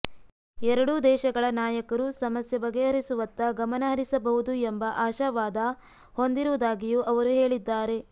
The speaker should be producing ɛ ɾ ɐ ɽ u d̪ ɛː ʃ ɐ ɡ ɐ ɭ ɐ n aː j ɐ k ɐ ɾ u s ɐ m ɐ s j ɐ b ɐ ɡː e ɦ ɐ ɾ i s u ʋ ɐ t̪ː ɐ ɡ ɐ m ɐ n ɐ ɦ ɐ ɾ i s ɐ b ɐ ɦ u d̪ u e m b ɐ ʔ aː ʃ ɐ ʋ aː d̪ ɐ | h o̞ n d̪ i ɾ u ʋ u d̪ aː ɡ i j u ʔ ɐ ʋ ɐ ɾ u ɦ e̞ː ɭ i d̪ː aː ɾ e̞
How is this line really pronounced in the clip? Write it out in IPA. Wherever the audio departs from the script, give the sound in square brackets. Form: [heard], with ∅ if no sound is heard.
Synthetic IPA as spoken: ɛ ɾ ɐ ɽ u d̪ ɛː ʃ ɐ ɡ ɐ ɭ ɐ n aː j ɐ k ɐ ɾ u s ɐ m ɐ s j ɐ b ɐ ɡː e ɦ ɐ ɾ i s u ʋ ɐ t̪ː ɐ ɡ ɐ m ɐ n ɐ ɦ ɐ ɾ i s ɐ b ɐ ɦ u d̪ u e m b ɐ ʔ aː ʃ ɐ ʋ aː d̪ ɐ | h o̞ n d̪ i ɾ u ʋ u d̪ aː ɡ i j u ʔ ɐ ʋ ɐ ɾ u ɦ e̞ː ɭ i d̪ː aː ɾ e̞